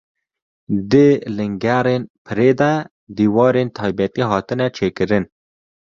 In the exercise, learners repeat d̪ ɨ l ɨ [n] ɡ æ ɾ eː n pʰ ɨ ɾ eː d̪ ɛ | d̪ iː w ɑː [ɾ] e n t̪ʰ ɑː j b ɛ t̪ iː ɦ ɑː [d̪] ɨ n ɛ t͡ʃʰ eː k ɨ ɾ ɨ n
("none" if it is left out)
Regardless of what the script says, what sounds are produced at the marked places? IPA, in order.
ŋ, ɾ, t̪

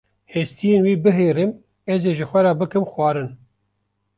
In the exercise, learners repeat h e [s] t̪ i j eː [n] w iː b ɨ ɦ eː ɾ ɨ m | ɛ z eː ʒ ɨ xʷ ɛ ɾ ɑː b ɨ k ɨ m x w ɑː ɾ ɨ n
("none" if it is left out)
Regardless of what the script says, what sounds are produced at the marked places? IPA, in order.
s, n

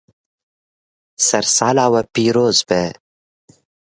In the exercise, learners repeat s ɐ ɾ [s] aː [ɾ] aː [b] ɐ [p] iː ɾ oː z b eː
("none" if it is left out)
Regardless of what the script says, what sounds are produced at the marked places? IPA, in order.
s, l, w, p

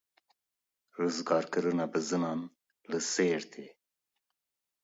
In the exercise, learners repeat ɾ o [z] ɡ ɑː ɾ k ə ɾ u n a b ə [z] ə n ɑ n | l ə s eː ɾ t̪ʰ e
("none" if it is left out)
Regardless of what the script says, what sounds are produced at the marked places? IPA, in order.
z, z

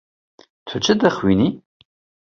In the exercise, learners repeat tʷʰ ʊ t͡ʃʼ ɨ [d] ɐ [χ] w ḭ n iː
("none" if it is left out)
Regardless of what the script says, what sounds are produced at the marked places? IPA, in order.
d, χ

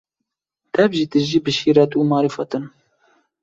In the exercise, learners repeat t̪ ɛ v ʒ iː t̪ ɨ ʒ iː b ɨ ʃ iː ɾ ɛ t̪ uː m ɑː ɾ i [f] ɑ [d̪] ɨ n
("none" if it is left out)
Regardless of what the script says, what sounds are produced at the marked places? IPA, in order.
f, t̪

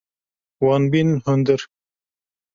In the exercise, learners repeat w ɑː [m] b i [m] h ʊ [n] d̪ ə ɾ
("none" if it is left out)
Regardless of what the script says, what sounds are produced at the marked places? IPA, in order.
n, n, n

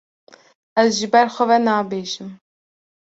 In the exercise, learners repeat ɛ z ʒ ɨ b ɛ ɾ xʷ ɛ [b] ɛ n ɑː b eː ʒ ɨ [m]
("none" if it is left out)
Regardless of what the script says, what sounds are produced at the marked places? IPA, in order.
v, m

